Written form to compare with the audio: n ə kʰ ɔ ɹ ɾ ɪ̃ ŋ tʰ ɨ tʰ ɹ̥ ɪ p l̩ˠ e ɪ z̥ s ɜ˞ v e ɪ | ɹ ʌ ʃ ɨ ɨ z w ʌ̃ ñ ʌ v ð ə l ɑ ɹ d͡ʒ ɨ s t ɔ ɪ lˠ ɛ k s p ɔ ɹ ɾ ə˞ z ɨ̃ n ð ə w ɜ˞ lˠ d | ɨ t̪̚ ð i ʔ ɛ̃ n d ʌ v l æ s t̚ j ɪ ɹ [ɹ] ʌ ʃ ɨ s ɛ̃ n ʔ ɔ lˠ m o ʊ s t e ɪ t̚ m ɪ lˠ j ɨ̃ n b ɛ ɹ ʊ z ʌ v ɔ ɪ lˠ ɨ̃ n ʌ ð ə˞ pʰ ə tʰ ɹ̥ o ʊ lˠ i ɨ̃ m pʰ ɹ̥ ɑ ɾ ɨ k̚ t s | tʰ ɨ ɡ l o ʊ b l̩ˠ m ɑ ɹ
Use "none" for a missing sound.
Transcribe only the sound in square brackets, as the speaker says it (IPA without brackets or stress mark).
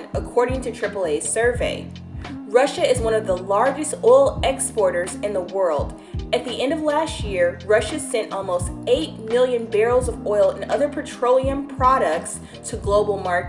ɹ